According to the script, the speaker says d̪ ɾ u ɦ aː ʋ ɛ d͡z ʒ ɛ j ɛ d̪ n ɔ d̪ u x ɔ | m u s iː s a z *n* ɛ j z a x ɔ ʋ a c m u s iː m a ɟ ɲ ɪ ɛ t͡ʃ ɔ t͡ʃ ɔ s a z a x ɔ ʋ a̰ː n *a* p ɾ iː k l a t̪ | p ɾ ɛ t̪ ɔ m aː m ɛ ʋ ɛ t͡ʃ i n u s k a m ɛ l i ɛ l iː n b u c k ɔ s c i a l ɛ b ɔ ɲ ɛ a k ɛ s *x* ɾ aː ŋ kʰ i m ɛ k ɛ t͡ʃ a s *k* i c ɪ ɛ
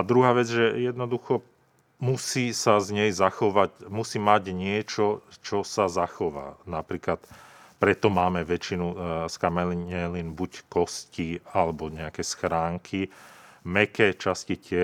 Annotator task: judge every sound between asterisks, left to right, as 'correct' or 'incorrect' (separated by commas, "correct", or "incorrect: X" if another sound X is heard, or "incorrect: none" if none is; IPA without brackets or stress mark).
incorrect: ɲ, correct, correct, incorrect: c